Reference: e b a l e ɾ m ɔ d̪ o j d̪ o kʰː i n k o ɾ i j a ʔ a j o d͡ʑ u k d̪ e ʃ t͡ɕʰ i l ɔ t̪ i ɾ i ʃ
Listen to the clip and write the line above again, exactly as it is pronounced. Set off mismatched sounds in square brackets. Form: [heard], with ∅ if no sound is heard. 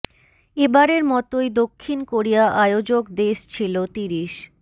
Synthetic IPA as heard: e b a [ɾ] e ɾ m ɔ [t̪] o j d̪ o kʰː i n k o ɾ i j a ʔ a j o d͡ʑ [o] k d̪ e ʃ t͡ɕʰ i l [o] t̪ i ɾ i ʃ